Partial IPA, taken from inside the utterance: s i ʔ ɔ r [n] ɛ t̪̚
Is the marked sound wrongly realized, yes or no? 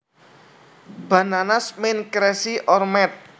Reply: yes